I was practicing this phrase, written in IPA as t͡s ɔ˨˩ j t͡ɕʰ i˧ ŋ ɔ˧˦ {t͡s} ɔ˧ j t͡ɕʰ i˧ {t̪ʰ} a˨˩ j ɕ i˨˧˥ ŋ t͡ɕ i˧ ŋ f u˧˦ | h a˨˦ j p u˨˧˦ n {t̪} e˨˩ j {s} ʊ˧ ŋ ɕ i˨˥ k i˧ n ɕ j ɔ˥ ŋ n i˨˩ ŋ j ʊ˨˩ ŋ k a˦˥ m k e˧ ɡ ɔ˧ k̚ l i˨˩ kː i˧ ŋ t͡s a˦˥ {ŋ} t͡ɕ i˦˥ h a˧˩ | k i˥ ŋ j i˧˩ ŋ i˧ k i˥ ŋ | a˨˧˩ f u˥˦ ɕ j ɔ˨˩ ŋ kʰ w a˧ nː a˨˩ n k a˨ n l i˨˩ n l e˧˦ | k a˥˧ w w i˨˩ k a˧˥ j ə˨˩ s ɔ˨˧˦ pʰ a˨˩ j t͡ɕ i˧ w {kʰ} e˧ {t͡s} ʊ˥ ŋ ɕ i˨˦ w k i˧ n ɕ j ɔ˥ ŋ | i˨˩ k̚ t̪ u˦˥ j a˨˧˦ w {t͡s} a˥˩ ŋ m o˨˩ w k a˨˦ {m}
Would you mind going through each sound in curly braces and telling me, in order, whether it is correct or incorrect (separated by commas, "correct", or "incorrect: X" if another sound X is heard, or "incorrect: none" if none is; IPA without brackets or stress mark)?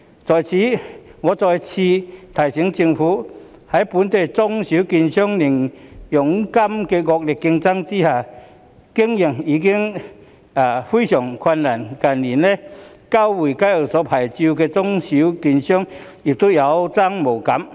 correct, correct, correct, incorrect: t͡s, correct, incorrect: k, correct, correct, correct